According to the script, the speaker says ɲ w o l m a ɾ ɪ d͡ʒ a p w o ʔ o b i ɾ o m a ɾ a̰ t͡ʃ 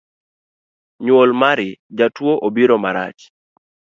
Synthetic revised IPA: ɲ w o l m a ɾ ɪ d͡ʒ a t w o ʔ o b i ɾ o m a ɾ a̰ t͡ʃ